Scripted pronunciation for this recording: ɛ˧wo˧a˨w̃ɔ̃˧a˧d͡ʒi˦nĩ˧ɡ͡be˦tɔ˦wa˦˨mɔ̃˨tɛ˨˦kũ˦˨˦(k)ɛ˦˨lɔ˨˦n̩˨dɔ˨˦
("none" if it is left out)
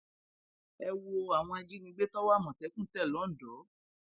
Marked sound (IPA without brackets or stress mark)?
t